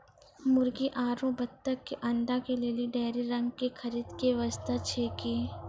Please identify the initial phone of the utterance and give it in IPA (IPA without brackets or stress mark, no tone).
m